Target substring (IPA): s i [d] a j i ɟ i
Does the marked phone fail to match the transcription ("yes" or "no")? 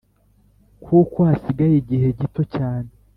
yes